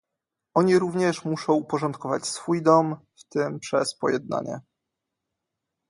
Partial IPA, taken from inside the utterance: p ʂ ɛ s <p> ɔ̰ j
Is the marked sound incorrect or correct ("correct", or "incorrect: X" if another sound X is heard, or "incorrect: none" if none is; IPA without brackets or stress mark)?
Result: correct